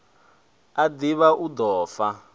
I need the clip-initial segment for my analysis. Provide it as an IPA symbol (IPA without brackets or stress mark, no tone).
a